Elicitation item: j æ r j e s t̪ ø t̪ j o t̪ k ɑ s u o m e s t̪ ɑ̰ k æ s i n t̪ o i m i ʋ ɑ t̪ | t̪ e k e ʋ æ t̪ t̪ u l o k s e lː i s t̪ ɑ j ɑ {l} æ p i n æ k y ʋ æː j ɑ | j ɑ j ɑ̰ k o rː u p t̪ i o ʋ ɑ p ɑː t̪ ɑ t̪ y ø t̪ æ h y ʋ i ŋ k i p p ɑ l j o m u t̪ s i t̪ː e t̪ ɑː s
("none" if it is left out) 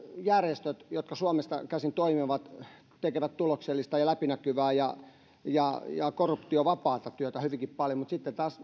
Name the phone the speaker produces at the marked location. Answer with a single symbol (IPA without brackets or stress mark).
l